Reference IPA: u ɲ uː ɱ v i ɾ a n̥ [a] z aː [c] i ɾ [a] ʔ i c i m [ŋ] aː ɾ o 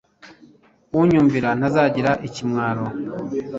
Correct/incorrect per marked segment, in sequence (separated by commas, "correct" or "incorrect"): correct, incorrect, correct, correct